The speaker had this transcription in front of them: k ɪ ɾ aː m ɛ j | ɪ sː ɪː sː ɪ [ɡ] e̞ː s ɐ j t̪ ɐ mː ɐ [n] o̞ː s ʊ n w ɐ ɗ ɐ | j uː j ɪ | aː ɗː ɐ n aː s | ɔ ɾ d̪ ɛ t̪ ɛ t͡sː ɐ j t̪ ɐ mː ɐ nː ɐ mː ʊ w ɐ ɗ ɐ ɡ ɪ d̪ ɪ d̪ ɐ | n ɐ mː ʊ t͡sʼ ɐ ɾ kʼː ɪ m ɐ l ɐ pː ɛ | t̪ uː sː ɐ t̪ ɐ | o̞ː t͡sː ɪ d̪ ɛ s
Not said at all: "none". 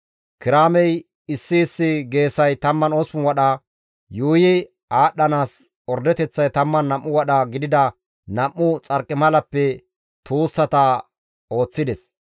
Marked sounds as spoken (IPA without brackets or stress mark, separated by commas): ɡ, n